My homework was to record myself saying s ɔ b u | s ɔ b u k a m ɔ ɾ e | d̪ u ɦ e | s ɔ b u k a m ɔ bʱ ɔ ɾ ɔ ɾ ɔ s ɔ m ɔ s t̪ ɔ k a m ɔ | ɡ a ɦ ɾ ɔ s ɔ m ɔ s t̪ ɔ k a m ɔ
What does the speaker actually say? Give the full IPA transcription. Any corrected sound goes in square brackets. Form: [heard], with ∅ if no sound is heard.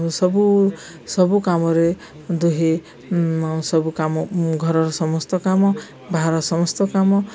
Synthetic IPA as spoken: s ɔ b u | s ɔ b u k a m ɔ ɾ e | d̪ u ɦ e | s ɔ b u k a m ɔ [ɡʱ] ɔ ɾ ɔ ɾ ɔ s ɔ m ɔ s t̪ ɔ k a m ɔ | [b] a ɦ ɾ ɔ s ɔ m ɔ s t̪ ɔ k a m ɔ